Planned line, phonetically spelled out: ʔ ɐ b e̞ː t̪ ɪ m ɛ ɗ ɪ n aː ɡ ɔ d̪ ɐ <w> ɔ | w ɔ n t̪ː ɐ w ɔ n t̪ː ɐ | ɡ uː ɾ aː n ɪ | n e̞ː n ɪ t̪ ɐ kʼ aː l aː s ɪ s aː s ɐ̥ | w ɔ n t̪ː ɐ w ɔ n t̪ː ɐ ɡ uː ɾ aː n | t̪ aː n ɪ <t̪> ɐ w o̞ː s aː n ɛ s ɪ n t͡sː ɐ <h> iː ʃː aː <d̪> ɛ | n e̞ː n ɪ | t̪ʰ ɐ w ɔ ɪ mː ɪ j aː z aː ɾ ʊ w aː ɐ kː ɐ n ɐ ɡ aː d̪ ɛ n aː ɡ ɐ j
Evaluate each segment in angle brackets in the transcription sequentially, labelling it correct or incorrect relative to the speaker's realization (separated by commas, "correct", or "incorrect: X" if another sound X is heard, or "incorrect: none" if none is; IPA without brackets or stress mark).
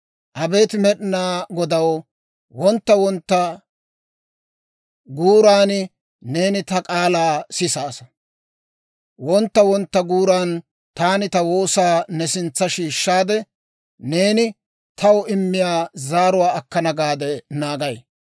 correct, correct, incorrect: ʃ, correct